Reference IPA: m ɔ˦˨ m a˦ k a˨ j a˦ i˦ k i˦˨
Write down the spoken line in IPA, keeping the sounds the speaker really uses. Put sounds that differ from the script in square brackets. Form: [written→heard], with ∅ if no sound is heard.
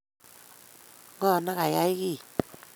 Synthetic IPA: [m→ŋ] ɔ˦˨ [m→n] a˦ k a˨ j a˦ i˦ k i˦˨